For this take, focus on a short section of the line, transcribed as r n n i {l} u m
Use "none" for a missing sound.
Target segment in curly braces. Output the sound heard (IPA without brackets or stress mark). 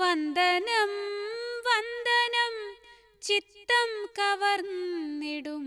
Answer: ɽ